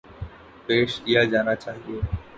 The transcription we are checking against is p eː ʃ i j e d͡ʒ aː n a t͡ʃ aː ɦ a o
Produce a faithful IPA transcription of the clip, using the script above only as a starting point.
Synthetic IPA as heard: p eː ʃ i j a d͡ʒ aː n a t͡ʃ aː ɦ i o